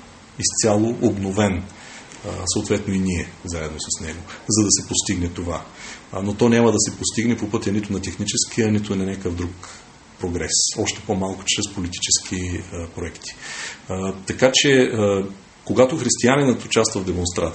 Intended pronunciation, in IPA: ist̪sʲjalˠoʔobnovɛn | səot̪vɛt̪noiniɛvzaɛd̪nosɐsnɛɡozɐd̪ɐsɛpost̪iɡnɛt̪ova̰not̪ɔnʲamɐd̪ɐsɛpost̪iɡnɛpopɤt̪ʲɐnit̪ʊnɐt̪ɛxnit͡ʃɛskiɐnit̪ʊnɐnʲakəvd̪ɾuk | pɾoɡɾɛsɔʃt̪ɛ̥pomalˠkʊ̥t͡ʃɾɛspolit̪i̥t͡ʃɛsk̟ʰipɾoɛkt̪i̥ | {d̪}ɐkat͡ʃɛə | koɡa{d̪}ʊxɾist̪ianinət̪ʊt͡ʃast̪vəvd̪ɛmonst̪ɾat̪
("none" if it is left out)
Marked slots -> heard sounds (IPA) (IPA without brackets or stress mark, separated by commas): t̪, t̪